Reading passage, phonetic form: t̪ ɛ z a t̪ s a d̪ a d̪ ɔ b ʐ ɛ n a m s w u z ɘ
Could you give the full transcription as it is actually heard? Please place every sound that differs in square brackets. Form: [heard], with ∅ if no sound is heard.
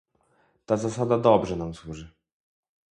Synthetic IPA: t̪ [a] z a [∅] s a d̪ a d̪ ɔ b ʐ ɛ n a m s w u [ʐ] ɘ